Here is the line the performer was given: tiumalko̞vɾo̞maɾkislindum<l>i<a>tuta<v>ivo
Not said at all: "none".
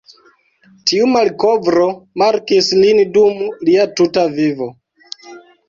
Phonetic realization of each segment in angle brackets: l, a, v

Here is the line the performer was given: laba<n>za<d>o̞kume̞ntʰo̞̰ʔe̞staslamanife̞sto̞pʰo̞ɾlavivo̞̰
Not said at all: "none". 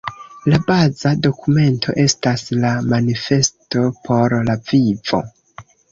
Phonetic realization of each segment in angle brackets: none, d

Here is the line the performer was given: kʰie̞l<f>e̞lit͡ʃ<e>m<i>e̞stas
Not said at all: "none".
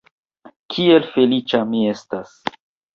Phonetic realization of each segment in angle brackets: f, a, i

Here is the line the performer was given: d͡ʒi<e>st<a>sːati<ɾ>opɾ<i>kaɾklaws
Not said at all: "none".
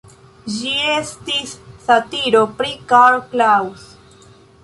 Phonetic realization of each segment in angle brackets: e, i, ɾ, i

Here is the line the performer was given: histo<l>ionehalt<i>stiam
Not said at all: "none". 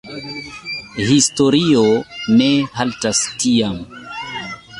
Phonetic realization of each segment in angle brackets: ɾ, a

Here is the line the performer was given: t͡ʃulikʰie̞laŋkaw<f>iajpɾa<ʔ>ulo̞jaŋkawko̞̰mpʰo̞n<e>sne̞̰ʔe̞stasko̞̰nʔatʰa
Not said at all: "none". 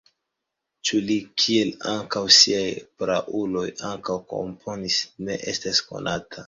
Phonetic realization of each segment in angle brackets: s, ʔ, i

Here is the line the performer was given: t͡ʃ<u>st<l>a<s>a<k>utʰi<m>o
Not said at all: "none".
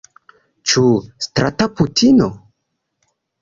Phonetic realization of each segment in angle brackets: u, ɾ, t, p, n

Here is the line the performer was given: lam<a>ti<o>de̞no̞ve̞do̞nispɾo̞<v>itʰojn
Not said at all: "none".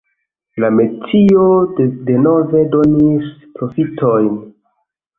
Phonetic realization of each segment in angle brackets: e, o, f

